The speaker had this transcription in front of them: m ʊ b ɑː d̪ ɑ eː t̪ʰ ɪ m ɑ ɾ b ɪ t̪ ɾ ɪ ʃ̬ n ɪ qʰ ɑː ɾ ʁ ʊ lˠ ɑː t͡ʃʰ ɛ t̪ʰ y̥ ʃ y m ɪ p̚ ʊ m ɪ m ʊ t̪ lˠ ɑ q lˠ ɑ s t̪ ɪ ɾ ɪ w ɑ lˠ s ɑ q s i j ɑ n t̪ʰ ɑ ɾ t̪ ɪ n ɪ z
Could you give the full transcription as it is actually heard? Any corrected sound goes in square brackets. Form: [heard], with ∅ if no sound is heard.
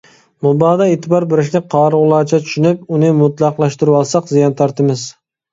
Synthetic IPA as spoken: m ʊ b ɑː d̪ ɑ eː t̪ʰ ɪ [b] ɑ ɾ b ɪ [∅] ɾ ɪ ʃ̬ n ɪ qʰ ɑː ɾ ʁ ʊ lˠ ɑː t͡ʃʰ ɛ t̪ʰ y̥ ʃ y [n] ɪ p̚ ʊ [n] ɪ m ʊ t̪ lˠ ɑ q lˠ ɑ [ʃ] t̪ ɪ ɾ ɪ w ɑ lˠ s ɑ q [z] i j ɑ n t̪ʰ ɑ ɾ t̪ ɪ [m] ɪ z